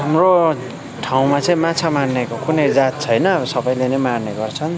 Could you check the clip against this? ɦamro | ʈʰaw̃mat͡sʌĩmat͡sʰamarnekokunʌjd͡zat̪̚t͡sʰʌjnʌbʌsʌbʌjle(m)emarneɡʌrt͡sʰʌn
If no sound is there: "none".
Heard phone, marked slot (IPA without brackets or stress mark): n